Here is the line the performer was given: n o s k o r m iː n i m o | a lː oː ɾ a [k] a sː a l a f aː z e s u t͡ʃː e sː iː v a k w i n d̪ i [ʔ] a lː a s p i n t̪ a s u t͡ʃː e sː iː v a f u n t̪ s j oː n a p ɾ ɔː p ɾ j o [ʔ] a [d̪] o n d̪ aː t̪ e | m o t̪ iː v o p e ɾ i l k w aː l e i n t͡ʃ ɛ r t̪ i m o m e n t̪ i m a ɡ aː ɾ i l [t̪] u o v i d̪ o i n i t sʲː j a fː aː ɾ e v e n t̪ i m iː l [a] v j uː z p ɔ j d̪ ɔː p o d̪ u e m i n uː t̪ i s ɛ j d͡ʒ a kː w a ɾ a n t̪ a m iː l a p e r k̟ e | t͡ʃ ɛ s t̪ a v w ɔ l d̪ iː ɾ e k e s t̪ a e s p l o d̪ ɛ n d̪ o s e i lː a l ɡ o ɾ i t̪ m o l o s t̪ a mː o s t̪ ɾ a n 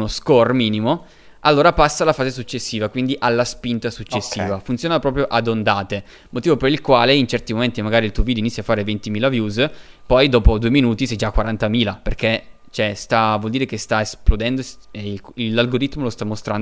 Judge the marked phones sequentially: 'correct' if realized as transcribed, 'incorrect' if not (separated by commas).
incorrect, correct, correct, correct, correct, correct